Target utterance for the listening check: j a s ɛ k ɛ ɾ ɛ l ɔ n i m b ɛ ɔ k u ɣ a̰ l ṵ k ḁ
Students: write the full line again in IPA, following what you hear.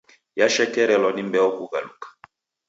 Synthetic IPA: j a ʃ ɛ k ɛ ɾ ɛ l ɔ n i m b ɛ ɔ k u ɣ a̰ l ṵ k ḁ